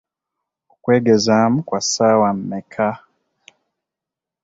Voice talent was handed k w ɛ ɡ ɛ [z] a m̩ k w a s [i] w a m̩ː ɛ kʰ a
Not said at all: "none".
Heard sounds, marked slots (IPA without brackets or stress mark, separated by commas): z, a